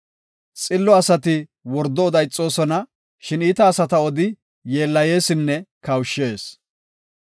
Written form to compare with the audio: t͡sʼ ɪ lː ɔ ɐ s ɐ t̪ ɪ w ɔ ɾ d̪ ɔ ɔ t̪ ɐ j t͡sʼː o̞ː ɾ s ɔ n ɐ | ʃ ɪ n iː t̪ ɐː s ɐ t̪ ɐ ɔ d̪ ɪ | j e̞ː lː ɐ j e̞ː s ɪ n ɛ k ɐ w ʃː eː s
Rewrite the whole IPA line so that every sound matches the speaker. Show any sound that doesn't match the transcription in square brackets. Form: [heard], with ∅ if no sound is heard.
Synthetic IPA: t͡sʼ ɪ lː ɔ ɐ s ɐ t̪ ɪ w ɔ ɾ d̪ ɔ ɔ [d̪] ɐ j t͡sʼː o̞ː [∅] s ɔ n ɐ | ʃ ɪ n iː t̪ ɐː s ɐ t̪ ɐ ɔ d̪ ɪ | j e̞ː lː ɐ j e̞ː s ɪ [nː] ɛ k ɐ w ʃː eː s